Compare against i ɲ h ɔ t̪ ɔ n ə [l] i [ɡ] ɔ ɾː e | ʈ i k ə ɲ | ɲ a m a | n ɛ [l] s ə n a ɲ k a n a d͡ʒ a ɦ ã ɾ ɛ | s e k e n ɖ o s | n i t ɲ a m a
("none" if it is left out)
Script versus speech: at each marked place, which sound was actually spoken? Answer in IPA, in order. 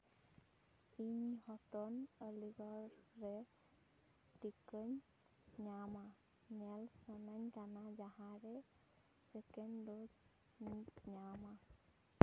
l, ɡ, l

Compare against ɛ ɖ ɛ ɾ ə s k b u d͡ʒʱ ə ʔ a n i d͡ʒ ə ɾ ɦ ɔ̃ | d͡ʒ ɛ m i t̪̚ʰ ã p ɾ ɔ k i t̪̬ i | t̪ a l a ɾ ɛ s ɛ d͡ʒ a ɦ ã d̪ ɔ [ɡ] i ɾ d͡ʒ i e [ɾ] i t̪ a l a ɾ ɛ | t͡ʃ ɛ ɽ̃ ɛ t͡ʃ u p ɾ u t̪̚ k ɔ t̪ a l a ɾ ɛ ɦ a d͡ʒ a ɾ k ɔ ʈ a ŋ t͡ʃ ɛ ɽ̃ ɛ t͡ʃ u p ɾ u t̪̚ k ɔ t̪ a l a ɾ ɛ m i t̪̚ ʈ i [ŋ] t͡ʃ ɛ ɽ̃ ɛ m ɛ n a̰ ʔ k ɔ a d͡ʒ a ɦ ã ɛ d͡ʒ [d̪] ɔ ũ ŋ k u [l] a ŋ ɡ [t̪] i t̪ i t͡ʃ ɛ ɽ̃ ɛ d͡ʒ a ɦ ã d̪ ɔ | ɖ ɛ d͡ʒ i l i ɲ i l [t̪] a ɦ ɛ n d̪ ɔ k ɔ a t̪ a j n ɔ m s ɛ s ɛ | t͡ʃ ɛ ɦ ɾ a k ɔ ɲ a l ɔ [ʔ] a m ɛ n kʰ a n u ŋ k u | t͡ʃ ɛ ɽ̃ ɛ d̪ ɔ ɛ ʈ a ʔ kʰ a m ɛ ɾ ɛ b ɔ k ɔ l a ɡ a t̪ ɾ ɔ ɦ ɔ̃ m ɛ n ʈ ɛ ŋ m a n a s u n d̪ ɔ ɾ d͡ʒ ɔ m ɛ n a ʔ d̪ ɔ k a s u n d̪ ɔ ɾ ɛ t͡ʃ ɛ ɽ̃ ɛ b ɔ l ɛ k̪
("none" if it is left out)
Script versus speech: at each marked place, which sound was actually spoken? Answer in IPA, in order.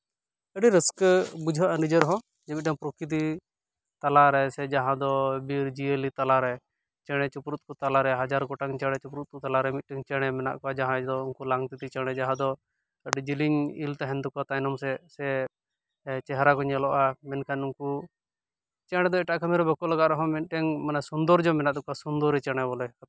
b, l, ŋ, d̪, l, t̪, t̪, ʔ

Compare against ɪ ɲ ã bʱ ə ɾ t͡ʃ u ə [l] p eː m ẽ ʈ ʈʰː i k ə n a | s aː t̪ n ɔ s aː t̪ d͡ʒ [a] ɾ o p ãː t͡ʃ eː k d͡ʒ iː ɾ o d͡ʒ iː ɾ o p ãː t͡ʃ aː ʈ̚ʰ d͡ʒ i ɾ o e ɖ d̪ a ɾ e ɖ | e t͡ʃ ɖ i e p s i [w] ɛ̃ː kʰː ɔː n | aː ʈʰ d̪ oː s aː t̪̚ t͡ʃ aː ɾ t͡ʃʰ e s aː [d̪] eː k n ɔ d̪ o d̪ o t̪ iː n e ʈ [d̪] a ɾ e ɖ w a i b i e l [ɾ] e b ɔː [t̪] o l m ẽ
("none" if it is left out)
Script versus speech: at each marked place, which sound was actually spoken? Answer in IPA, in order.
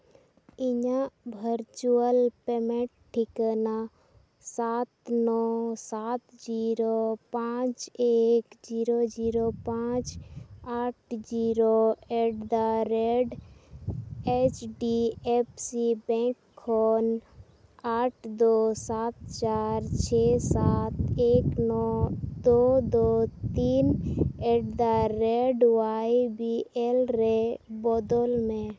l, i, b, t̪, d̪, ɾ, d̪

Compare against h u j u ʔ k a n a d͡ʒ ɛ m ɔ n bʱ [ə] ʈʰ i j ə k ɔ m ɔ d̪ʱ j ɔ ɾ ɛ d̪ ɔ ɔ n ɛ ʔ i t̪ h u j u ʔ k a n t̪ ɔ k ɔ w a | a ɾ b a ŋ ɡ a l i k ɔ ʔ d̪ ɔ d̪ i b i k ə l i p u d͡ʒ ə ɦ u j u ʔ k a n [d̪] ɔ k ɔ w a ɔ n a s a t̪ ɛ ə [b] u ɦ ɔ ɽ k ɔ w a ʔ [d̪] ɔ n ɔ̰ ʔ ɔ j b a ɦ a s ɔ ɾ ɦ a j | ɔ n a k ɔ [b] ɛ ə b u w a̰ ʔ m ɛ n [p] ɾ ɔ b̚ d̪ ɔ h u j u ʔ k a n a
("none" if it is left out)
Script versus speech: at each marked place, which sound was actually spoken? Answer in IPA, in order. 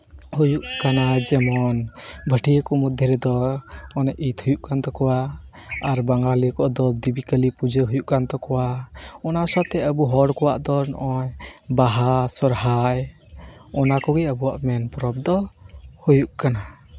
ə, t̪, b, d̪, ɡ, p

